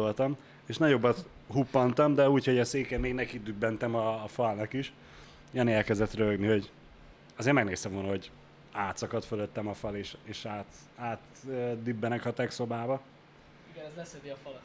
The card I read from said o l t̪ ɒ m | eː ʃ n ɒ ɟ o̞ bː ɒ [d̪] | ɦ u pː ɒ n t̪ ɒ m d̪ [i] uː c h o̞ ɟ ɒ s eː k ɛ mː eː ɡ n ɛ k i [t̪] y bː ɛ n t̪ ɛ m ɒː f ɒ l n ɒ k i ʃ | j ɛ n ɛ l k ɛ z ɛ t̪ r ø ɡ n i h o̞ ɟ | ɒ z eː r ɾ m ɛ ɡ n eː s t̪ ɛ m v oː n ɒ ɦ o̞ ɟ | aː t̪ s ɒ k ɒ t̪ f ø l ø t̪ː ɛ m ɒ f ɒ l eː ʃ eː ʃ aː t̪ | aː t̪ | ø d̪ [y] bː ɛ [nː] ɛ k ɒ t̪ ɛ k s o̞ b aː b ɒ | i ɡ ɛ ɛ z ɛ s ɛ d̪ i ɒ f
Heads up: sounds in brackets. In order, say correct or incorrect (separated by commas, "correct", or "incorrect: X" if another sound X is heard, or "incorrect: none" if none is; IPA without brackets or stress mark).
incorrect: t̪, incorrect: ɛ, incorrect: d̪, correct, incorrect: n